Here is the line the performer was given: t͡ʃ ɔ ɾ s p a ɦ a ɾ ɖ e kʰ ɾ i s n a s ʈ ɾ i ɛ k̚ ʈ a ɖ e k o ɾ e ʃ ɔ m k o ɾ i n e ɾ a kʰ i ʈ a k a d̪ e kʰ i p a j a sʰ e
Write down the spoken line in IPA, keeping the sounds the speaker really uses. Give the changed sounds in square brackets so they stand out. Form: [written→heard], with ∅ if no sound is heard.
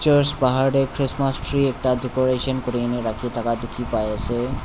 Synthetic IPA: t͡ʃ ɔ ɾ s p a ɦ a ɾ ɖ e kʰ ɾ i s [n→m] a s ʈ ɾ i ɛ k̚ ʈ a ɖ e k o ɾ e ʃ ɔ [m→n] k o ɾ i n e ɾ a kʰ i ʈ a k a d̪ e kʰ i p a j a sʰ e